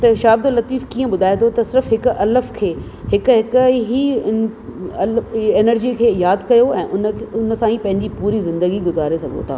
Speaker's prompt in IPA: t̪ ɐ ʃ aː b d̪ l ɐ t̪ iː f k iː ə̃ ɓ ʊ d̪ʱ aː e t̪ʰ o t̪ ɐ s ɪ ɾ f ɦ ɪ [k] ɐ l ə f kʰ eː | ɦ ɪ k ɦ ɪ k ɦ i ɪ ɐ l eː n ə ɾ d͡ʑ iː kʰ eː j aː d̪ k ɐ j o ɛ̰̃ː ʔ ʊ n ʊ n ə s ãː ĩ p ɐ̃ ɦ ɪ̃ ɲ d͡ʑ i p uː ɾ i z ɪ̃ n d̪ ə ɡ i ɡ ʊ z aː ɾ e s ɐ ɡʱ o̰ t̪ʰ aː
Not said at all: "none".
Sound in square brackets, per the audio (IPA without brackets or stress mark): k